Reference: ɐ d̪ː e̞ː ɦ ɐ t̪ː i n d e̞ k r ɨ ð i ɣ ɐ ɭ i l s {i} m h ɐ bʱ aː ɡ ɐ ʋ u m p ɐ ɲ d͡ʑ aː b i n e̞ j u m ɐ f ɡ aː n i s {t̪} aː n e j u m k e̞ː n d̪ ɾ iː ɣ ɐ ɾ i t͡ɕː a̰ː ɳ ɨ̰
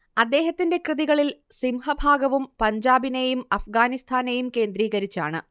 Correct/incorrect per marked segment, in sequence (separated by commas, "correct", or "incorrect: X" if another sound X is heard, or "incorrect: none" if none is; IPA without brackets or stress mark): correct, incorrect: t̪ʰ